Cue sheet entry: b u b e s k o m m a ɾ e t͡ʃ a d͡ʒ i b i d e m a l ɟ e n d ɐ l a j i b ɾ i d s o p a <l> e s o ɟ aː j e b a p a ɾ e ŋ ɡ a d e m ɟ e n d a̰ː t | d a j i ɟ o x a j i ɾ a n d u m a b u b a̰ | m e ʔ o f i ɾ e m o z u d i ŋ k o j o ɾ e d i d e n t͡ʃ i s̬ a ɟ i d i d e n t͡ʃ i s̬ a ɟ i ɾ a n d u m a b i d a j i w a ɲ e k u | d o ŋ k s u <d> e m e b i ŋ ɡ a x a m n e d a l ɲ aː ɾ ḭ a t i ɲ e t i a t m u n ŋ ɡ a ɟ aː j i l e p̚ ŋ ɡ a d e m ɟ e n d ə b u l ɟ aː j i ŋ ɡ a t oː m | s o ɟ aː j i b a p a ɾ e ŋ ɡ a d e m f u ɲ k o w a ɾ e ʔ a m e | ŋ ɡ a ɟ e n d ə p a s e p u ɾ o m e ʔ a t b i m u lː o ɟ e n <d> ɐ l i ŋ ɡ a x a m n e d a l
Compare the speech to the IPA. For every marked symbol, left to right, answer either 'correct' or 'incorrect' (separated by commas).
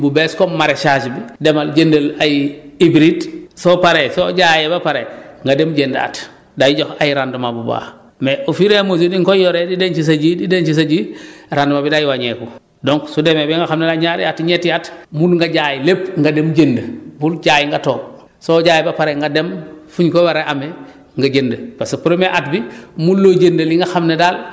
incorrect, correct, correct